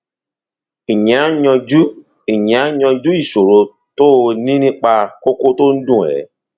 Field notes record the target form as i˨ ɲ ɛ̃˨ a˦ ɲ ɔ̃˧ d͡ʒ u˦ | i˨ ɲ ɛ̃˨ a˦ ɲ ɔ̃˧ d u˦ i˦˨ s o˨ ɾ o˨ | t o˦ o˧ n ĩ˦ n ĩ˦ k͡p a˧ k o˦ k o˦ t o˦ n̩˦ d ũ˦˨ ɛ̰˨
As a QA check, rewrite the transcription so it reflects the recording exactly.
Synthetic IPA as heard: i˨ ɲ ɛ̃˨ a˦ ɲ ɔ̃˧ d͡ʒ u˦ | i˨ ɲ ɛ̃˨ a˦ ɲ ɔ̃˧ d͡ʒ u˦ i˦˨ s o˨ ɾ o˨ | t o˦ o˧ n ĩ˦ n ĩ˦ k͡p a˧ k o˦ k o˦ t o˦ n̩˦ d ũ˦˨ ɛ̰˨